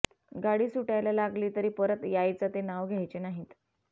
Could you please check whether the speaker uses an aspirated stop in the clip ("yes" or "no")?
no